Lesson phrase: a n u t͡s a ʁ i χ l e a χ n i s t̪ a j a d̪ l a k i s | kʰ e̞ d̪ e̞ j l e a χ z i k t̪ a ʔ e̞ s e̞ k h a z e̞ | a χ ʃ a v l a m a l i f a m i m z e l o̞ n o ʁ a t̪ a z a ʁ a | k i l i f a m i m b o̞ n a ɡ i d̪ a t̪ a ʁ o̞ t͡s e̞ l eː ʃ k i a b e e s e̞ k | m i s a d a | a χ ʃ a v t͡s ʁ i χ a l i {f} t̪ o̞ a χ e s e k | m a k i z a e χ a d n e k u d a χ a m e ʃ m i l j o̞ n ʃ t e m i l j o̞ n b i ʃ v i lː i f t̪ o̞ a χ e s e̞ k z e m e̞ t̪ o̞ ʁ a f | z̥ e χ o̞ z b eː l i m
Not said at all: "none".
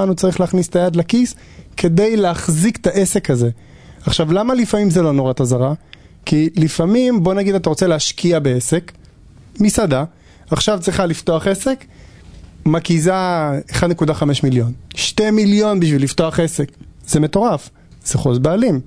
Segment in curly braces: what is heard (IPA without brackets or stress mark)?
f